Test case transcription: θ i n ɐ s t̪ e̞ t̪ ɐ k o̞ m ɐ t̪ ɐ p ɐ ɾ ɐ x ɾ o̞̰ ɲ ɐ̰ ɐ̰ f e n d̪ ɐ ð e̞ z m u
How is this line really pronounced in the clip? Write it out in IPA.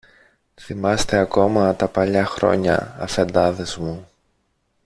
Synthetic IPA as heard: θ i m ɐ s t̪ e̞ ɐ k o̞ m ɐ t̪ ɐ p ɐ ʎ ɐ x ɾ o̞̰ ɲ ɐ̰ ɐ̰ f e n d̪ ɐ ð e̞ z m u